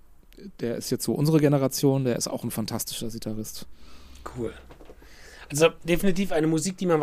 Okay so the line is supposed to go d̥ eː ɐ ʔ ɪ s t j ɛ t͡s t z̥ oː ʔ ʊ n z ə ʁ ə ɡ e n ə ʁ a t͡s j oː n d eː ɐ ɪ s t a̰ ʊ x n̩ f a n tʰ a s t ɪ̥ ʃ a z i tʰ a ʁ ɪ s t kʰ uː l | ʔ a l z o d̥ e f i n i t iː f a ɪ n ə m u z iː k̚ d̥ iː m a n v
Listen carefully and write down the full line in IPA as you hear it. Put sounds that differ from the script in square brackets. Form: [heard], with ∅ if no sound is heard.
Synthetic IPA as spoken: d̥ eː ɐ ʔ ɪ s t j ɛ t͡s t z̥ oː ʔ ʊ n z ə ʁ ə ɡ e n ə ʁ a t͡s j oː n d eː ɐ ɪ s t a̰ ʊ x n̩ f a n tʰ a s t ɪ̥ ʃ [ɐ] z i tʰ a ʁ ɪ s t kʰ uː l | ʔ a l z o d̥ e f i n i t iː f a ɪ n ə m u z iː k̚ d̥ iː m a n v